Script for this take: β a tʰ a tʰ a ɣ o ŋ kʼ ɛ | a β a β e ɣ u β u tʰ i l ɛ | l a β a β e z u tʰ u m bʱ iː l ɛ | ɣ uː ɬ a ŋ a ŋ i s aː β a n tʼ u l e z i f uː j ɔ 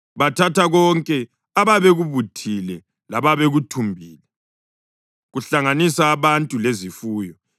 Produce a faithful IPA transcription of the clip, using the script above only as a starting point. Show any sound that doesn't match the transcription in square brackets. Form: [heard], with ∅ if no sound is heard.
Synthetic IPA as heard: β a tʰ a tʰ a ɣ [ɔ] ŋ kʼ ɛ | a β a β e ɣ u β u tʰ i l ɛ | l a β a β e [ɣ] u tʰ u m bʱ iː l ɛ | ɣ [u] ɬ a ŋ a [n] i s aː β a n tʼ u l e z i f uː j ɔ